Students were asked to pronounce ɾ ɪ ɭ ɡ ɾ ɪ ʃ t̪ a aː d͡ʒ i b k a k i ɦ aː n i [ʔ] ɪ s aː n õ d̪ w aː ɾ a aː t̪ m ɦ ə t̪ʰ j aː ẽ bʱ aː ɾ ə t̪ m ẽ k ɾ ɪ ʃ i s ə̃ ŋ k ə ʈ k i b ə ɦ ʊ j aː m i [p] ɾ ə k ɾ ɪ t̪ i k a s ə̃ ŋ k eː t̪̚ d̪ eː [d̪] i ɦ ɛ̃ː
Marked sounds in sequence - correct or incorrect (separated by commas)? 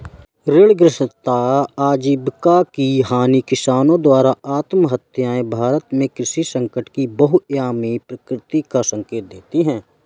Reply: incorrect, correct, incorrect